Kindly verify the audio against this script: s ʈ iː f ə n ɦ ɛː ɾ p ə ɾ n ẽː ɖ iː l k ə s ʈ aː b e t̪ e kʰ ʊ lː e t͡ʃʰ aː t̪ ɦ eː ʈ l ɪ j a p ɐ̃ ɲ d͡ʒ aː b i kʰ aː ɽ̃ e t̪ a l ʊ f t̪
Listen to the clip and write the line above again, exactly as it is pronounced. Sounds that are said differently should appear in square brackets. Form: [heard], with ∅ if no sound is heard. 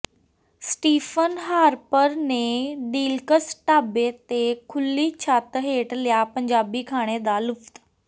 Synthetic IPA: s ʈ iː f ə n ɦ [aː] ɾ p ə ɾ n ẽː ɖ iː l k ə s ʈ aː b e t̪ e kʰ ʊ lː [i] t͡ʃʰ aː t̪ ɦ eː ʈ l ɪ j a p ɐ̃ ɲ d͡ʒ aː b i kʰ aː ɽ̃ e [d̪] a l ʊ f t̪

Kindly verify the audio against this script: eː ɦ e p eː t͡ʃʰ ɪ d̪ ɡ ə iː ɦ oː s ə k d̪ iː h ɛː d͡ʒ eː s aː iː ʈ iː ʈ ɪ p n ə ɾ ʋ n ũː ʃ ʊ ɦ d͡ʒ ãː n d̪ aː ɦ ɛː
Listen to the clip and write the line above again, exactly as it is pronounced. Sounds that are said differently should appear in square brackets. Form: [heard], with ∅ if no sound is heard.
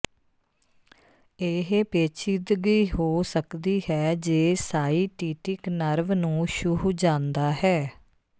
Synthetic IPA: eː ɦ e p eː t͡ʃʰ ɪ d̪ ɡ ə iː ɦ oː s ə k d̪ iː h ɛː d͡ʒ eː s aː iː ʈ iː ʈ ɪ [k] n ə ɾ ʋ n ũː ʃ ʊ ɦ d͡ʒ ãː n d̪ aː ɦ ɛː

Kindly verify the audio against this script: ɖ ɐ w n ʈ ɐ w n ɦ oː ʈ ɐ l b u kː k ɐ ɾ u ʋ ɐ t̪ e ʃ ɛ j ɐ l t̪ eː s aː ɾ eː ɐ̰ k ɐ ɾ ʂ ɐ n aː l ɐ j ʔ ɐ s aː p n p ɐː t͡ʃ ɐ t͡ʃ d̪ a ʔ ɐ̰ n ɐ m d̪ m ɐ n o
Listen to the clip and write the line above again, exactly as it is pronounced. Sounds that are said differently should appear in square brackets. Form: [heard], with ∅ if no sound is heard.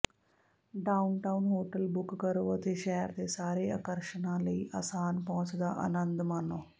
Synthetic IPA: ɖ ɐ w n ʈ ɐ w n ɦ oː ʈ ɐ l b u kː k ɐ ɾ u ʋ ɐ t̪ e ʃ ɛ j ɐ [ɾ] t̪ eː s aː ɾ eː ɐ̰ k ɐ ɾ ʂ ɐ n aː l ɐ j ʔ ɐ s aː [∅] n p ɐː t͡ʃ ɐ [∅] d̪ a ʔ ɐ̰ n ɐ [n] d̪ m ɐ n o

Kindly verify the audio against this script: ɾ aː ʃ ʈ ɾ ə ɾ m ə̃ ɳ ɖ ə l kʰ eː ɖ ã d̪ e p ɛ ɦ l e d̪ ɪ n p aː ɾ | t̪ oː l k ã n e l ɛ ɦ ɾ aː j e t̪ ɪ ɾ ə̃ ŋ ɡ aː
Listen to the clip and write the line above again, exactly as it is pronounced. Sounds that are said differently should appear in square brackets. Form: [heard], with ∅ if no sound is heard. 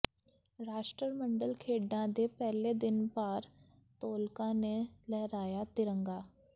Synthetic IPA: ɾ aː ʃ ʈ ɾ ə ɾ m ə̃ ɳ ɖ ə l kʰ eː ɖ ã d̪ e p ɛ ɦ l e d̪ ɪ n p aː ɾ | t̪ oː l k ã n e l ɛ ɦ ɾ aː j [a] t̪ ɪ ɾ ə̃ ŋ ɡ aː

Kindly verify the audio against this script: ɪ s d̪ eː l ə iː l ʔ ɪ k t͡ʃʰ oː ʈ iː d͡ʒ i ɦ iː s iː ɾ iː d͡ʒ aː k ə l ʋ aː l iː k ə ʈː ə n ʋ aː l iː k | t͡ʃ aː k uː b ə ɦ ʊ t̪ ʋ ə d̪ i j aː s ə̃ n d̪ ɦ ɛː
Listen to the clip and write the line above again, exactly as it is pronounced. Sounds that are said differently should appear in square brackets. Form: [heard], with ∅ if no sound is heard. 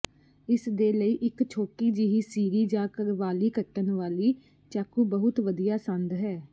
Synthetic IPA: ɪ s d̪ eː l ə iː [∅] ʔ ɪ k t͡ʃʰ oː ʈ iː d͡ʒ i ɦ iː s iː ɾ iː d͡ʒ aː k ə [ɾ] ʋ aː l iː k ə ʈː ə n ʋ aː l iː [∅] | t͡ʃ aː k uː b ə ɦ ʊ t̪ ʋ ə d̪ i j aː s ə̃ n d̪ ɦ ɛː

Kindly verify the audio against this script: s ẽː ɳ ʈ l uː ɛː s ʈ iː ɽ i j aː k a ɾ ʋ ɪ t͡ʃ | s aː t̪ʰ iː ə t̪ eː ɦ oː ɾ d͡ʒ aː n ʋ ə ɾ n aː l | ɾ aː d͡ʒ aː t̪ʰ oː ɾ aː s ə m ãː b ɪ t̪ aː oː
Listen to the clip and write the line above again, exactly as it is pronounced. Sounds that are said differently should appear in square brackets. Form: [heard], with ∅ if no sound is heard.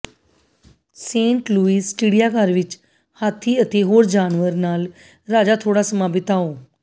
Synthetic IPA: s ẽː ɳ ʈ l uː [iː] s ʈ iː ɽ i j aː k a ɾ ʋ ɪ t͡ʃ | [h] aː t̪ʰ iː ə t̪ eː ɦ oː ɾ d͡ʒ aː n ʋ ə ɾ n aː l | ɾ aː d͡ʒ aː t̪ʰ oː [ɽ] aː s ə m [aː] b ɪ t̪ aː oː

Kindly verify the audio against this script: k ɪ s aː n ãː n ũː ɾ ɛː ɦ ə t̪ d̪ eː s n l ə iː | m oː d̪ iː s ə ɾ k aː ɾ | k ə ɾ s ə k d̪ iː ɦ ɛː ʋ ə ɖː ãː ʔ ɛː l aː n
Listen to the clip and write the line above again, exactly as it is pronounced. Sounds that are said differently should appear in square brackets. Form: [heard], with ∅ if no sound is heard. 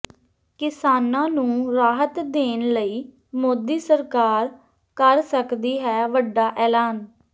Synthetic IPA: k ɪ s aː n ãː n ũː ɾ [aː] ɦ ə t̪ d̪ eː [∅] n l ə iː | m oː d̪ iː s ə ɾ k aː ɾ | k ə ɾ s ə k d̪ iː ɦ ɛː ʋ ə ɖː [aː] ʔ ɛː l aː n

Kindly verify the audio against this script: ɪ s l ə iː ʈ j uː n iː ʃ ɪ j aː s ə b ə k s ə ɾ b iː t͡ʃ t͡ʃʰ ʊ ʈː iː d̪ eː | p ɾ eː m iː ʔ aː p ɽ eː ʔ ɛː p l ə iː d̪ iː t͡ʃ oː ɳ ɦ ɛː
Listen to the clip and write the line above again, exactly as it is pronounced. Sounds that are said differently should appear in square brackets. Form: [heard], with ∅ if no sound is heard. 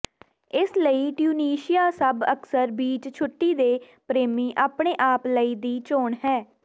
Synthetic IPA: ɪ s l ə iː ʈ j uː n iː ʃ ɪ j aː s ə b ə k s ə ɾ b iː t͡ʃ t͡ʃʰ ʊ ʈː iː d̪ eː | p ɾ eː m iː ʔ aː p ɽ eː ʔ [aː] p l ə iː d̪ iː t͡ʃ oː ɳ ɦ ɛː

